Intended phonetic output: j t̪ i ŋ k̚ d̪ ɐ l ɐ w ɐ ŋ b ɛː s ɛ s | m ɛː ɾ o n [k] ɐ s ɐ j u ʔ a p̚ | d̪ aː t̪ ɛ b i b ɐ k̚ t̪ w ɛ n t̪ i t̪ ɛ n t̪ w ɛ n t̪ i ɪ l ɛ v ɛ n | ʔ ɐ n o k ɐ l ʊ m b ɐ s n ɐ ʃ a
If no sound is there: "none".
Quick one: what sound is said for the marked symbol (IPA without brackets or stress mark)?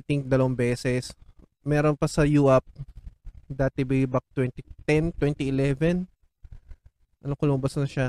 p